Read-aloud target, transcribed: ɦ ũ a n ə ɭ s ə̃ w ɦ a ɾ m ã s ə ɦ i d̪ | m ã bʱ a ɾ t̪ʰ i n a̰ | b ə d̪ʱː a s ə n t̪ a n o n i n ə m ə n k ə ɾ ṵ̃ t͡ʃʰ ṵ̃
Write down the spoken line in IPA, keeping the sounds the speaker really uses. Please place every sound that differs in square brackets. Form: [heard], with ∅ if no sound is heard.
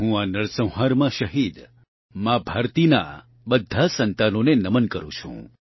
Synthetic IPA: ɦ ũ a n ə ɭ s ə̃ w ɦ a ɾ m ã [ʃ] ə ɦ i d̪ | m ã bʱ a ɾ [t̪] i n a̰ | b ə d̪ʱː a s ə n t̪ a n o n [e] n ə m ə n k ə ɾ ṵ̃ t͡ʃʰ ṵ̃